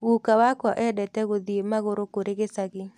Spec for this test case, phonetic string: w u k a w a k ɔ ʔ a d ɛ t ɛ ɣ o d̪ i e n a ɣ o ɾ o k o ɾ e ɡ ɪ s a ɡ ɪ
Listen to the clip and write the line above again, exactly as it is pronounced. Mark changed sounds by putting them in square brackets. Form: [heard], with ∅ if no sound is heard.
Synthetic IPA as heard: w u k a w a k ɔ ʔ [ɛ] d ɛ t ɛ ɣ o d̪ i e [m] a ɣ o ɾ o k o ɾ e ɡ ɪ s a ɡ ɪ